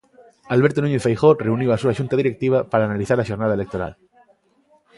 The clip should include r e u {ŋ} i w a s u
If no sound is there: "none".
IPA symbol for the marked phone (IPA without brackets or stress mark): n